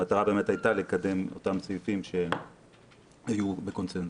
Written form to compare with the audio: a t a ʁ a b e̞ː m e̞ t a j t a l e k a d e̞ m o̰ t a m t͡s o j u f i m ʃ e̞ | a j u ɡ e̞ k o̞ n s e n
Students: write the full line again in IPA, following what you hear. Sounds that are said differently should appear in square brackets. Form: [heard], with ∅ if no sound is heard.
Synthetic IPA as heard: a t a ʁ a b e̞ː m e̞ t a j t a l e k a d e̞ m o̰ t a m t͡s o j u f i m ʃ e̞ | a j u [b] e̞ k o̞ n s e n